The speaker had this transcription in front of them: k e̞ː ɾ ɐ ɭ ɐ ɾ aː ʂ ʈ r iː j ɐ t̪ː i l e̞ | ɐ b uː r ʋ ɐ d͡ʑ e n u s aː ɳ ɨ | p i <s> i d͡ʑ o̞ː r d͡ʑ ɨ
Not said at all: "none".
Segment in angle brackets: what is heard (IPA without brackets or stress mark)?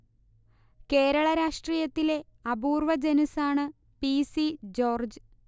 s